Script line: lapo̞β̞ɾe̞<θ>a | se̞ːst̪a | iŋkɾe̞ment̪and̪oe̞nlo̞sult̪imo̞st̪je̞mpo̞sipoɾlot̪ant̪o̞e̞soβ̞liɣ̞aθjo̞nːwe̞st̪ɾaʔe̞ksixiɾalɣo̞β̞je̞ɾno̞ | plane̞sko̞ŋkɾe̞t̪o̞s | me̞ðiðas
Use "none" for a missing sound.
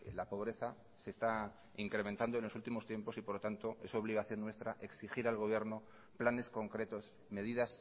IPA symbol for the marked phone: θ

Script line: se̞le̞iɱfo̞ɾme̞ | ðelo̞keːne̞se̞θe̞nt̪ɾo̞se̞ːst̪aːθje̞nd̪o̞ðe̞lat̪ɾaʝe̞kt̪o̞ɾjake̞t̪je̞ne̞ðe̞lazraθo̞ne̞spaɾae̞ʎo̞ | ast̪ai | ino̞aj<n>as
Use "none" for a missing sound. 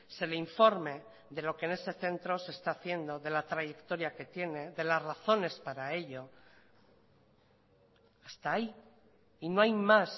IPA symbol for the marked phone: m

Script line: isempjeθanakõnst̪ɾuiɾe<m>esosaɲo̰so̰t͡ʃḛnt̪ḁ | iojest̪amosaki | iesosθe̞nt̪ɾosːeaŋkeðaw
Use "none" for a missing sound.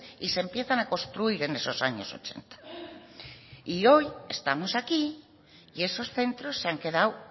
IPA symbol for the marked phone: n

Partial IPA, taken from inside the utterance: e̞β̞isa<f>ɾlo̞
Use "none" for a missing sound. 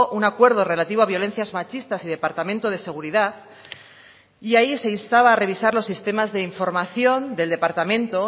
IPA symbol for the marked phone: none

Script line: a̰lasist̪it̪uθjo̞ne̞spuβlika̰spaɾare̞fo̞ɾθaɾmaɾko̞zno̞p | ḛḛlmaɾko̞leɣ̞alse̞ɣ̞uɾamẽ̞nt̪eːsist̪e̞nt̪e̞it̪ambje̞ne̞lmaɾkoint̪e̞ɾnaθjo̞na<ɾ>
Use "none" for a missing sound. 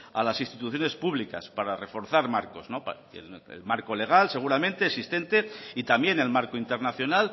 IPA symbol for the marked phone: l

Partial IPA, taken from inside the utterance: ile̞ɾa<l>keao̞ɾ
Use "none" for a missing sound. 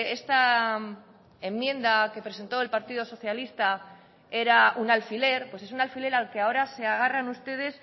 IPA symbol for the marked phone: l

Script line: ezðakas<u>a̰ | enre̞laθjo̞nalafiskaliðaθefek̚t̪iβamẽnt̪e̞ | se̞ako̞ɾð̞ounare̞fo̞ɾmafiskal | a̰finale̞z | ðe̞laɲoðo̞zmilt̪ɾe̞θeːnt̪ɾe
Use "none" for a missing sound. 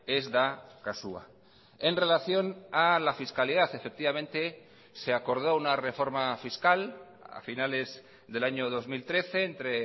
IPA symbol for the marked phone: u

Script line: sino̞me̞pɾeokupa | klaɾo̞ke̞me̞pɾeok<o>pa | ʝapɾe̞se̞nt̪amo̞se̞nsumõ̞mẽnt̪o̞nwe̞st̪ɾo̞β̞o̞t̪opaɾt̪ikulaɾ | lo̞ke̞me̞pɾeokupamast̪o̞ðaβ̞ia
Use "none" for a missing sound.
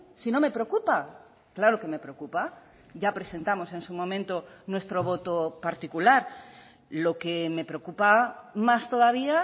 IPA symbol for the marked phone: u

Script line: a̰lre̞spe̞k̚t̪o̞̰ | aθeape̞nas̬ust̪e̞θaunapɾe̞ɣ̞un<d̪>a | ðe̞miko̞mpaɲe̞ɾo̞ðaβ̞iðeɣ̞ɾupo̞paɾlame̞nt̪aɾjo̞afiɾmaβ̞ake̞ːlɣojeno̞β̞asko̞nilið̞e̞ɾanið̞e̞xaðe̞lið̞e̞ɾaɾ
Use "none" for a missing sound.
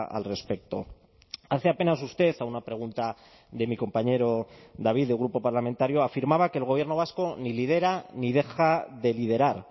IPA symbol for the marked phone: t̪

